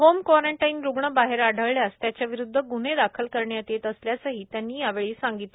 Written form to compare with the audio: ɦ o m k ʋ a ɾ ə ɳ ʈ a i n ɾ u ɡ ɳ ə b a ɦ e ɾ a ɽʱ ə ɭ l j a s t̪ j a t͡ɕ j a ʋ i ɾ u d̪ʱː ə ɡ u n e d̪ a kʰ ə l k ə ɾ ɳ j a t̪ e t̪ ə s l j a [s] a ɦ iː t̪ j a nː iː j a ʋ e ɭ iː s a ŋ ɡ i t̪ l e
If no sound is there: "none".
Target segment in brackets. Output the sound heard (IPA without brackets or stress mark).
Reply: s